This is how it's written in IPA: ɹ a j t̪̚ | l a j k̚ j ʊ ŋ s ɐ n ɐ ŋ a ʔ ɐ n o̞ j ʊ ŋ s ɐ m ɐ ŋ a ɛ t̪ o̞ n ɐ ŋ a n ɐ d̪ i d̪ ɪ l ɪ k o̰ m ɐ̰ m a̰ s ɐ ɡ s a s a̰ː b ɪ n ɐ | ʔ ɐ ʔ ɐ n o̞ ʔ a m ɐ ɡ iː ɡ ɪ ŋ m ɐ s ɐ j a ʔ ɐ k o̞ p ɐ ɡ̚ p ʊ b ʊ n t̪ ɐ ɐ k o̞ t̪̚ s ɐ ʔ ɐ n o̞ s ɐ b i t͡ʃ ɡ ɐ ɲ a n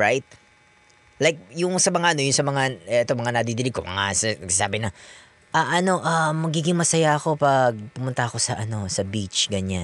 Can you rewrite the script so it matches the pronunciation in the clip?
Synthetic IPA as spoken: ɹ a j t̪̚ | l a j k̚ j ʊ ŋ s ɐ m ɐ ŋ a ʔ ɐ n o̞ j ʊ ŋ s ɐ m ɐ ŋ a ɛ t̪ o̞ m ɐ ŋ a n ɐ d̪ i d̪ ɪ l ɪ k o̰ m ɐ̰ ŋ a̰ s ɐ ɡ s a s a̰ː b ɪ n ɐ | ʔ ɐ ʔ ɐ n o̞ ʔ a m ɐ ɡ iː ɡ ɪ ŋ m ɐ s ɐ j a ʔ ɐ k o̞ p ɐ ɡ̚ p ʊ m ʊ n t̪ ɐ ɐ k o̞ s ɐ ʔ ɐ n o̞ s ɐ b i t͡ʃ ɡ ɐ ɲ a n